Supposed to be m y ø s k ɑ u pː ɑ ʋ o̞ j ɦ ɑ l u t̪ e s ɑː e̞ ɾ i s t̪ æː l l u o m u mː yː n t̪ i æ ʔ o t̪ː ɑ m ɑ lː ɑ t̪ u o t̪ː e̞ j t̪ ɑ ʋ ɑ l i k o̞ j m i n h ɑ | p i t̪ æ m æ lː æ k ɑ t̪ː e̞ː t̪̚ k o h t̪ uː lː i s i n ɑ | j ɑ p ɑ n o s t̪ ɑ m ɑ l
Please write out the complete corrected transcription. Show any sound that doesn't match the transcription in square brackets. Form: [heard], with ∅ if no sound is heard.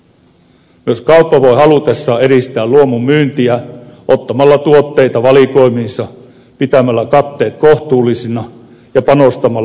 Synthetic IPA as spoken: m y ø s k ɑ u pː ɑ ʋ o̞ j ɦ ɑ l u t̪ e [sː] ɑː e̞ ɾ i s t̪ æː l l u o m u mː yː n t̪ i æ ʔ o t̪ː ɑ m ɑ lː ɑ t̪ u o t̪ː e̞ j t̪ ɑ ʋ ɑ l i k o̞ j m i n [s] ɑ | p i t̪ æ m æ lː æ k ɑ t̪ː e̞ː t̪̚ k o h t̪ uː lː i s i n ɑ | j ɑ p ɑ n o s t̪ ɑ m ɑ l